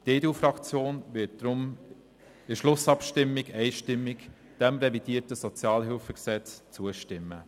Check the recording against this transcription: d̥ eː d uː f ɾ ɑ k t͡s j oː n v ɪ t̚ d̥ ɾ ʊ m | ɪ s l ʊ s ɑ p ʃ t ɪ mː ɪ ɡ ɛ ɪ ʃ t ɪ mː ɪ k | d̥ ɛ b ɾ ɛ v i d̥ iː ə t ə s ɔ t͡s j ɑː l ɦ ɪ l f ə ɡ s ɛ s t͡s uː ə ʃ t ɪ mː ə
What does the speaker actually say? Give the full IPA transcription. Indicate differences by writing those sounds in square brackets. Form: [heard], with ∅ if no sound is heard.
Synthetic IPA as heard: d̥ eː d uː f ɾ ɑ k t͡s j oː n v ɪ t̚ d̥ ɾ ʊ m | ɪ [ʃ] l ʊ s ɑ p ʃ t ɪ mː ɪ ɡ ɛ ɪ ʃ t ɪ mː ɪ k | d̥ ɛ [m] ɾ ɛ v i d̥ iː ə t ə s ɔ t͡s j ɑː l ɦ ɪ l f ə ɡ s ɛ [t͡s] t͡s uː ə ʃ t ɪ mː ə

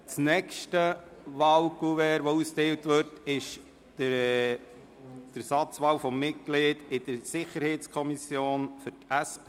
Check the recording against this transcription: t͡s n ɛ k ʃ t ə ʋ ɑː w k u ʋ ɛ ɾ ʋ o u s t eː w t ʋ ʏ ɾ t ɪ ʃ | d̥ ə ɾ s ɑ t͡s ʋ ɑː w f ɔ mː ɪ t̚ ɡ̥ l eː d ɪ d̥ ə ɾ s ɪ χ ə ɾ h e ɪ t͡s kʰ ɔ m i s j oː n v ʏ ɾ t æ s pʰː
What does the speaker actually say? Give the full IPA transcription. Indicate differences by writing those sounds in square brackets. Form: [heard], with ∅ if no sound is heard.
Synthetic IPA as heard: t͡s n ɛ k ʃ t ə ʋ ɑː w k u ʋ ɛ ɾ ʋ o u s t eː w t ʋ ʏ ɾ t ɪ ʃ | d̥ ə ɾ s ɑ t͡s ʋ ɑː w f ɔ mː ɪ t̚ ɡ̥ l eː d ɪ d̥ ə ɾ s ɪ χ ə ɾ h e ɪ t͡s kʰ ɔ m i s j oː n [f] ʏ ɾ t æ s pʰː

